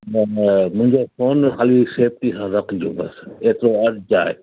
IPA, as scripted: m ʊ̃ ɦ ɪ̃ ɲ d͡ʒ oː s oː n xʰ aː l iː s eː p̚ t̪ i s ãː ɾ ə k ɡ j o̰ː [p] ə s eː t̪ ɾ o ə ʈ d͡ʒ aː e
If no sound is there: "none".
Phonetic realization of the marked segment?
b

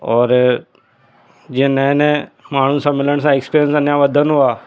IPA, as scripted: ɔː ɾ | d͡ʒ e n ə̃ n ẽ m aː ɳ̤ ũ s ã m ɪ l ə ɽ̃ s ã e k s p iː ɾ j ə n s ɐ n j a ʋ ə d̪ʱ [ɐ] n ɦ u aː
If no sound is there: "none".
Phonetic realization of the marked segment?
ə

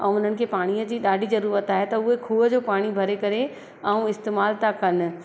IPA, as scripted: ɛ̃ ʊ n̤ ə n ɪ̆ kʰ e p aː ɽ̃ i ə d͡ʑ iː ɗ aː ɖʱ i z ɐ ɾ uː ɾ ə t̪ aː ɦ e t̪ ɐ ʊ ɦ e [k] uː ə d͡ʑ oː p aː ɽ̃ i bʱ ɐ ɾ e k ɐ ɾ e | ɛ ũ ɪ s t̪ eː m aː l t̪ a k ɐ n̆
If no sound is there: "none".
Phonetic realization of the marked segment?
kʰ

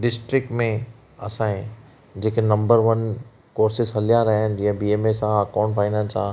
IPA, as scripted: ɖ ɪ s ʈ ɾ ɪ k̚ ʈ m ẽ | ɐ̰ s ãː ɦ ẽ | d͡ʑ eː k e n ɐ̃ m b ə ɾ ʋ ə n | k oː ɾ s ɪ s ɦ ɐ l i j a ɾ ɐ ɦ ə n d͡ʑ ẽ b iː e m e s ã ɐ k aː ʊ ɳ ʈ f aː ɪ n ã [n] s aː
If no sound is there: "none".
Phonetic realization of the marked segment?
n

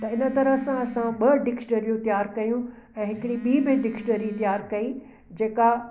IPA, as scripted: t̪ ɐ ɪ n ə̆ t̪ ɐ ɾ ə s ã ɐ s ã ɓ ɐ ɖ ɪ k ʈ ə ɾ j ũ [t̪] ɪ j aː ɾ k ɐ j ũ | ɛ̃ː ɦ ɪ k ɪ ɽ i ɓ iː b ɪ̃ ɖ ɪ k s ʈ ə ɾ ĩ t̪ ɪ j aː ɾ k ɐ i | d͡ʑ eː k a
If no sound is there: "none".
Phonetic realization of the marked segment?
t̪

